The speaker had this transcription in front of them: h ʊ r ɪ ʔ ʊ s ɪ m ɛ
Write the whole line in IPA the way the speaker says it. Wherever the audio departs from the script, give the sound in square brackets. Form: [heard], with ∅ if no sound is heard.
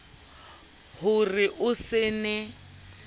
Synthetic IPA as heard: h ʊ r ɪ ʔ ʊ s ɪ [n] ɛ